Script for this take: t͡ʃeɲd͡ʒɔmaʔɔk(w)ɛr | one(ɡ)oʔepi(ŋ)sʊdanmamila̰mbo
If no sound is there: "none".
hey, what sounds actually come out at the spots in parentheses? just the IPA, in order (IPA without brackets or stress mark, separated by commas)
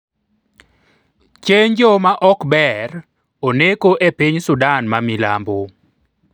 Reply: b, k, ɲ